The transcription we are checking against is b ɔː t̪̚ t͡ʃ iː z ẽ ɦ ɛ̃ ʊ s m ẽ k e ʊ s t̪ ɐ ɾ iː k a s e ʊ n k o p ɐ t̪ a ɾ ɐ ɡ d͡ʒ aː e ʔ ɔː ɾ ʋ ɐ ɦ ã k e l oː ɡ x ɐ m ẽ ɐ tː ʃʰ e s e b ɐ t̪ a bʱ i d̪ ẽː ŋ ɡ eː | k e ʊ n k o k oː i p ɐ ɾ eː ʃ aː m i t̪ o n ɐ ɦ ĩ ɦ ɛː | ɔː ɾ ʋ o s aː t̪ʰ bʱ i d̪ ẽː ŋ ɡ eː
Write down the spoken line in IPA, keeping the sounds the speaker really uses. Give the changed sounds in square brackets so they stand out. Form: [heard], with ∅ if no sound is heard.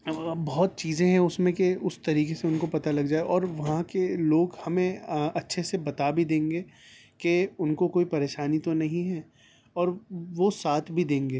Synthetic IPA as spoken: b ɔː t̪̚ t͡ʃ iː z ẽ ɦ ɛ̃ ʊ s m ẽ k e ʊ s t̪ ɐ ɾ iː k [e] s e ʊ n k o p ɐ t̪ a [l] ɐ ɡ d͡ʒ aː e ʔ ɔː ɾ ʋ ɐ ɦ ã k e l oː ɡ [h] ɐ m ẽ ɐ tː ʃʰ e s e b ɐ t̪ a bʱ i d̪ ẽː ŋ ɡ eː | k e ʊ n k o k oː i p ɐ ɾ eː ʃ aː [n] i t̪ o n ɐ ɦ ĩ ɦ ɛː | ɔː ɾ ʋ o s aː t̪ʰ bʱ i d̪ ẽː ŋ ɡ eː